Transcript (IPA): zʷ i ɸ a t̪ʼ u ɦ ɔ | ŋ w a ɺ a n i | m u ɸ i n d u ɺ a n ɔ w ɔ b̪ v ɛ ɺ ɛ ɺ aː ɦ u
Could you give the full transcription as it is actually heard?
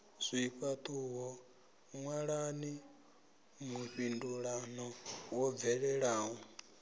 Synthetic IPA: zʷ i ɸ a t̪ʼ u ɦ ɔ | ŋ w a ɺ a n i | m u ɸ i n d u ɺ a n ɔ w ɔ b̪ v ɛ ɺ ɛ ɺ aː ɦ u